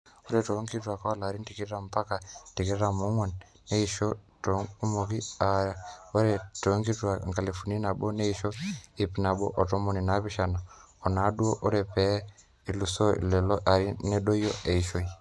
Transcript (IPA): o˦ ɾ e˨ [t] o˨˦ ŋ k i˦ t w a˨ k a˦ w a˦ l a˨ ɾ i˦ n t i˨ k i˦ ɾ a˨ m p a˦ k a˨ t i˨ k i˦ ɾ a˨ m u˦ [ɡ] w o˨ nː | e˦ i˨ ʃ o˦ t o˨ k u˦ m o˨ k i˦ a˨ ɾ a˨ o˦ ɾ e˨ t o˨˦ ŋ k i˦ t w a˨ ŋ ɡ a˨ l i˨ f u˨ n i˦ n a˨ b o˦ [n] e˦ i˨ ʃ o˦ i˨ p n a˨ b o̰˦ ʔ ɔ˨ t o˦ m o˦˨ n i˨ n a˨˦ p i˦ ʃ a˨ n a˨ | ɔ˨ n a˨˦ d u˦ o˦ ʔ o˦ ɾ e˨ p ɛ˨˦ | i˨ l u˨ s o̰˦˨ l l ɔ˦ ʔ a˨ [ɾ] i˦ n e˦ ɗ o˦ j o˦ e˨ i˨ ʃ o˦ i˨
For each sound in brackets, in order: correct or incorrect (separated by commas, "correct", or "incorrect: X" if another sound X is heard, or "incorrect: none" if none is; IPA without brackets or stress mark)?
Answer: correct, incorrect: ŋ, correct, correct